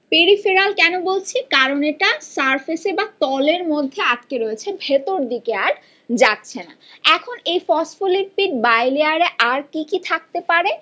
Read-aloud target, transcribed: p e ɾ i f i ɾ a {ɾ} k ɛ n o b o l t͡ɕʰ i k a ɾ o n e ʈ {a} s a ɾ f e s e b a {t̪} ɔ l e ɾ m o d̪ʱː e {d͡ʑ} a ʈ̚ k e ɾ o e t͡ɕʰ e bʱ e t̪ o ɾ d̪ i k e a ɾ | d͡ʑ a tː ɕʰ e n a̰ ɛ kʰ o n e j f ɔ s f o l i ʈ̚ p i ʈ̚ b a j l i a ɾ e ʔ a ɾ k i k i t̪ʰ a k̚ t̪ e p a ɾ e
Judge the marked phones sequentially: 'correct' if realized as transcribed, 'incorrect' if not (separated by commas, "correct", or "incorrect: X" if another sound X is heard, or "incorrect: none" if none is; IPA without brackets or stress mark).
incorrect: l, correct, correct, incorrect: none